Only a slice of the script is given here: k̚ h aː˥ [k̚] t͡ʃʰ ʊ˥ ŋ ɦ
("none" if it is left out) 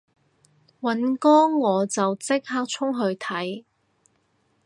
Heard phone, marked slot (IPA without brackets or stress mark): k̚